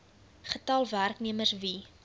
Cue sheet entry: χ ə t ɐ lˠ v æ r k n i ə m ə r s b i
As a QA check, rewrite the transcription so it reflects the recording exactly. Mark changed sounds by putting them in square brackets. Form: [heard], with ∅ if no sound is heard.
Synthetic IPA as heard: χ ə t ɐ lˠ v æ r k n i ə m ə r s [v] i